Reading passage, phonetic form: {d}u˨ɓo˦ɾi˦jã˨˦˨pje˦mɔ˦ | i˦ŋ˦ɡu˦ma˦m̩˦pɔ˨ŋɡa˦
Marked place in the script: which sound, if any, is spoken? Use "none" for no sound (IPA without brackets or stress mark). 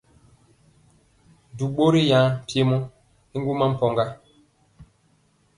d